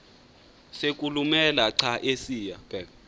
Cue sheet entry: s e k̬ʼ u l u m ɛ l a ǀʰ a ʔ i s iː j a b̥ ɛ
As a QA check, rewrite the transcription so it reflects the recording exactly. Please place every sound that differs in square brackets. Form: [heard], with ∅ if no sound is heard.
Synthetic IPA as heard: s e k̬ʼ u l u m ɛ l a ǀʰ a ʔ [e] s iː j a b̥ ɛ